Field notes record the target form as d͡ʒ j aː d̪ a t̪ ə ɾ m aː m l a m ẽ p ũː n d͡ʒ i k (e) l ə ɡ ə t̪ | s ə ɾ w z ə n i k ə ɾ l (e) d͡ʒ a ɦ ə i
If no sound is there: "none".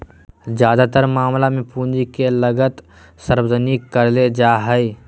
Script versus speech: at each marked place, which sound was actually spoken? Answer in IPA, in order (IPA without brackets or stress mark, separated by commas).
e, e